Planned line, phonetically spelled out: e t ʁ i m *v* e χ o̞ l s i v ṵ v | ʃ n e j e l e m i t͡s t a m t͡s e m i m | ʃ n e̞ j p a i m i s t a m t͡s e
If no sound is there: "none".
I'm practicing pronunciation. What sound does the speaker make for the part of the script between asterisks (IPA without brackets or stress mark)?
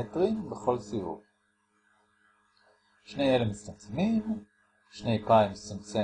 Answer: b